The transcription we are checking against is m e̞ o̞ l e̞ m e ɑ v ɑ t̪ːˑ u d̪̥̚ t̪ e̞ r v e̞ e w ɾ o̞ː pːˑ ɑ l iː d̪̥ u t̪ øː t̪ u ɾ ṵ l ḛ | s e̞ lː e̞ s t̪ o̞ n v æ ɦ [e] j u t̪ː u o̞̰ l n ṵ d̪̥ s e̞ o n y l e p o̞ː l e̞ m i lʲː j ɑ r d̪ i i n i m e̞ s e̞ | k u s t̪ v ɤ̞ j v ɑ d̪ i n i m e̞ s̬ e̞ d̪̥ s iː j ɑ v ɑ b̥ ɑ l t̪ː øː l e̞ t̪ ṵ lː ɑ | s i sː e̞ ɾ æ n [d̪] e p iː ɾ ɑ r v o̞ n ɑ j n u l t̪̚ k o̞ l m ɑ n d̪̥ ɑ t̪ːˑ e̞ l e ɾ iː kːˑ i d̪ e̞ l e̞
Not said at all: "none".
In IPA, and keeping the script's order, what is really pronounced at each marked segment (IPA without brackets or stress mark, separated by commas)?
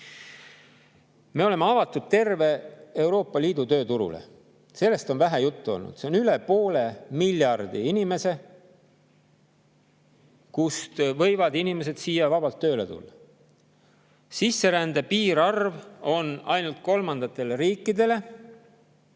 æ, d̪